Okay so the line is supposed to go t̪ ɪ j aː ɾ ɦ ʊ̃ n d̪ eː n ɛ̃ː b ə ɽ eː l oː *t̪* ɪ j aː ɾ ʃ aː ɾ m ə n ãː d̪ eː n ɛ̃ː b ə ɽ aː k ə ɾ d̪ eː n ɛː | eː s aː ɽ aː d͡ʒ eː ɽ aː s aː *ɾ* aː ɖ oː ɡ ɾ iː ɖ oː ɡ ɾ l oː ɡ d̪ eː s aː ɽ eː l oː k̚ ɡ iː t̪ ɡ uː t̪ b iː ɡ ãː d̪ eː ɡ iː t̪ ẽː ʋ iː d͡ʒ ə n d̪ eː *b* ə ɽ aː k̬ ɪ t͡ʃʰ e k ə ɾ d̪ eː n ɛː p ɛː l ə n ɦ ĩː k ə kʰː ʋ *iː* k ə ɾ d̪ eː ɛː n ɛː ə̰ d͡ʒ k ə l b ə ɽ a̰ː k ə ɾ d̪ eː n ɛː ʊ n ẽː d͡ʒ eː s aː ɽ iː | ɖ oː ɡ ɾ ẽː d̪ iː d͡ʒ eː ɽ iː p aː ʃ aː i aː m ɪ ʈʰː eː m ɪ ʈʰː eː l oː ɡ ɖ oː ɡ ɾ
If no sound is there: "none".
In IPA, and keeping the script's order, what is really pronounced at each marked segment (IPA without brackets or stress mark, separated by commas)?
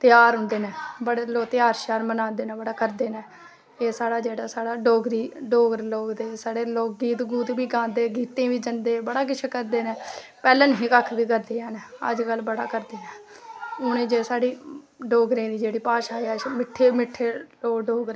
t̪, ɽ, b, iː